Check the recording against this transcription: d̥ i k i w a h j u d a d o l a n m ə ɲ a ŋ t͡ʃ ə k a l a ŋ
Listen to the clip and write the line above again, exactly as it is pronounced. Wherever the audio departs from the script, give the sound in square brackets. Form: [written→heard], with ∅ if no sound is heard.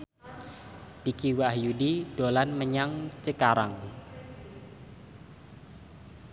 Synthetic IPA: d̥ i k i w a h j u d [a→i] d o l a n m ə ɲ a ŋ t͡ʃ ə k a [l→ɾ] a ŋ